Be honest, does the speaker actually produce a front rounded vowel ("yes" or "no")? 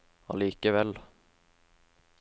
no